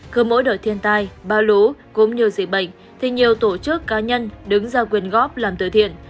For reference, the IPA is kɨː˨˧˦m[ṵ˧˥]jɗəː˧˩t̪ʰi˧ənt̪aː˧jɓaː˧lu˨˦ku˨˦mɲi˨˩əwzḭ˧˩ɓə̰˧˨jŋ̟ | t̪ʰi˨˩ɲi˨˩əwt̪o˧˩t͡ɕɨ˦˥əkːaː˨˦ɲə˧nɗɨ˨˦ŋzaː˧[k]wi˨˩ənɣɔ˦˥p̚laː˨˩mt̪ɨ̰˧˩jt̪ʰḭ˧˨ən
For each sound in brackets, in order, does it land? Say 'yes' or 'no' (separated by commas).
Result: no, yes